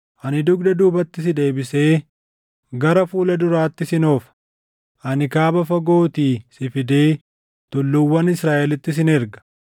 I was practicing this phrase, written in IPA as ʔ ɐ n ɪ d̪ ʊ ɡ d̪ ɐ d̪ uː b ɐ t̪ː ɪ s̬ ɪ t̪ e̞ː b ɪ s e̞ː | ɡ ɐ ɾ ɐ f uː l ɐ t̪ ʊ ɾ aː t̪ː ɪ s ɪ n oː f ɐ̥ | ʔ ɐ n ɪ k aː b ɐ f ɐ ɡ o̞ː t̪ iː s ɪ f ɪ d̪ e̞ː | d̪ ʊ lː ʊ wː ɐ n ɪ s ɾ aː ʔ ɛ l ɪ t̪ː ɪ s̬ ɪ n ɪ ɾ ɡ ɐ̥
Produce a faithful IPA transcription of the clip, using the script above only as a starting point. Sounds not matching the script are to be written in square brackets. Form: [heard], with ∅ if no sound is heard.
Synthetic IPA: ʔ ɐ n ɪ d̪ ʊ ɡ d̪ ɐ d̪ uː b ɐ t̪ː ɪ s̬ ɪ [d̪] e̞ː b ɪ s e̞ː | ɡ ɐ ɾ ɐ f uː l ɐ [d̪] ʊ ɾ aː t̪ː ɪ s ɪ n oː f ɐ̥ | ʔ ɐ n ɪ k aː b ɐ f ɐ ɡ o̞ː t̪ iː s ɪ f ɪ d̪ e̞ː | [t̪] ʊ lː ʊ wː ɐ n ɪ s ɾ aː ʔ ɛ l ɪ t̪ː ɪ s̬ ɪ n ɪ ɾ ɡ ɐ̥